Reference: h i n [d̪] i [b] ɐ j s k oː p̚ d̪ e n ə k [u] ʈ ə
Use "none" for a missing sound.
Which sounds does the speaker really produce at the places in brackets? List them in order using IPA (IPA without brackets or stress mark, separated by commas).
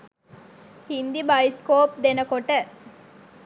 d̪, b, o